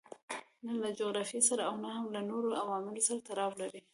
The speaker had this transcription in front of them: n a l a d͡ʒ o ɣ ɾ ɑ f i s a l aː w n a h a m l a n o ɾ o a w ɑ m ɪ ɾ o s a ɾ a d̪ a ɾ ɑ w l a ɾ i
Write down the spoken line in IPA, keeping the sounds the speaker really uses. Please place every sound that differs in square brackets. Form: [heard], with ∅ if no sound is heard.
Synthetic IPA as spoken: n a l a d͡ʒ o ɣ ɾ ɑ f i s a [ɾ] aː w n a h a m l a n o ɾ o a w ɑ m ɪ [l] o s a ɾ a [t̪] a ɾ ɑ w l a ɾ i